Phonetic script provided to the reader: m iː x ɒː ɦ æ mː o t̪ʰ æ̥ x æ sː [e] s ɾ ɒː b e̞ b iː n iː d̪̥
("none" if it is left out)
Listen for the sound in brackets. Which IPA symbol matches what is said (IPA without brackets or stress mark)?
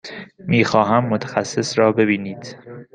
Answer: e